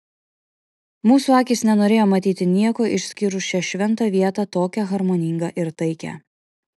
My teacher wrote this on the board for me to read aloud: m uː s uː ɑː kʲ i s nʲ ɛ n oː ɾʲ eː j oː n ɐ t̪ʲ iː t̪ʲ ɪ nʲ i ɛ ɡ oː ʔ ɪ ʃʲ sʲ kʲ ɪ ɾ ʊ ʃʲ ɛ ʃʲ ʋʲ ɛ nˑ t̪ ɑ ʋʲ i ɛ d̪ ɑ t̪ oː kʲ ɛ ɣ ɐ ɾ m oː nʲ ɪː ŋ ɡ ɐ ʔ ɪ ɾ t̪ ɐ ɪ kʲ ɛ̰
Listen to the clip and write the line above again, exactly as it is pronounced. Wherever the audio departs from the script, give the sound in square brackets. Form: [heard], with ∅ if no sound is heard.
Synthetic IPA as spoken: m uː s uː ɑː kʲ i s nʲ ɛ n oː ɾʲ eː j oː [m] ɐ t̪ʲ iː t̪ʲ ɪ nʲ i ɛ [k] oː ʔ ɪ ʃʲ sʲ kʲ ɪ ɾ ʊ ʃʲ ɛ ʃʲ ʋʲ ɛ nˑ t̪ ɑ ʋʲ i ɛ [t̪] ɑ t̪ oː kʲ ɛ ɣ ɐ ɾ m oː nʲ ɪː ŋ ɡ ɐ ʔ ɪ ɾ t̪ ɐ ɪ kʲ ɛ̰